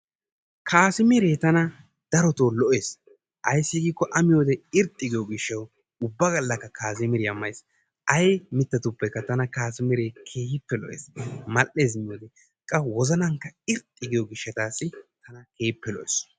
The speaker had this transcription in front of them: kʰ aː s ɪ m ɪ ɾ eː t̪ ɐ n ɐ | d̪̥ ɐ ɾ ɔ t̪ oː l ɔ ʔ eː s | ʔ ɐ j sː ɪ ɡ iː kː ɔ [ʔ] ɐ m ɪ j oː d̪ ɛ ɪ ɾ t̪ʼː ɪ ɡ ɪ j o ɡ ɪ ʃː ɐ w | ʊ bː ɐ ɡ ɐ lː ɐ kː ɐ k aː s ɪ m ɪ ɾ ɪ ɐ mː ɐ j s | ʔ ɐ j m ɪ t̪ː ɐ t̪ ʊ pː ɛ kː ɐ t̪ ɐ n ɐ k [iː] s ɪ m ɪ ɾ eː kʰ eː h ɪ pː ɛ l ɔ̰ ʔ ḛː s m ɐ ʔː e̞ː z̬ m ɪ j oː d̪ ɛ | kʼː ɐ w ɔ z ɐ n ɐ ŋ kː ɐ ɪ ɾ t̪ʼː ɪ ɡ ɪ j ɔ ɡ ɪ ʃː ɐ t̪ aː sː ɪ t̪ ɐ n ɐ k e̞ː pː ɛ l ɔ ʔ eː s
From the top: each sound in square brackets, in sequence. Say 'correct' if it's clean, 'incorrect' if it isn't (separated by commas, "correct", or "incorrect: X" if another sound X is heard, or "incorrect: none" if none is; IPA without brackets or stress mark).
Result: correct, incorrect: aː